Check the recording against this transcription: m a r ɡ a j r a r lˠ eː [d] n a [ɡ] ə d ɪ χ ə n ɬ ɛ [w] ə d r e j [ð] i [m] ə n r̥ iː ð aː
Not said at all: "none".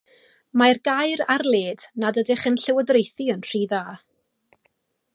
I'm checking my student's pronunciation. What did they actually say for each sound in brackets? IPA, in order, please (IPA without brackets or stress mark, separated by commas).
d, d, w, θ, none